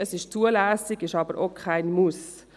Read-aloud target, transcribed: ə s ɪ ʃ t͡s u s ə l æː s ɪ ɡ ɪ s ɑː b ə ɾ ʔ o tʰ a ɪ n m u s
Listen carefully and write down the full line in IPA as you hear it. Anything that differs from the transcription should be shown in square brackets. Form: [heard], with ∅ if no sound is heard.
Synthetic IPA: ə s ɪ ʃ t͡s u [∅] ə l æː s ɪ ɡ ɪ [ʃ] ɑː b ə ɾ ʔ o [kʰ] a ɪ n m u s